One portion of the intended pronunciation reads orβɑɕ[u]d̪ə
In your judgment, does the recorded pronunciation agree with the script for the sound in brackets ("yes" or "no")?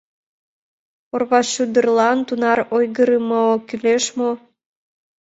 yes